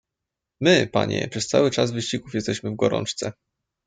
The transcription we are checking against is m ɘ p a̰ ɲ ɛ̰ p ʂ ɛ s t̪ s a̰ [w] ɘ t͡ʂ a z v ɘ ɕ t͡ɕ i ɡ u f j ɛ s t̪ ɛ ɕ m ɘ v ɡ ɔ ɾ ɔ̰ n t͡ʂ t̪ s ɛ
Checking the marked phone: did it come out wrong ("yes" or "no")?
no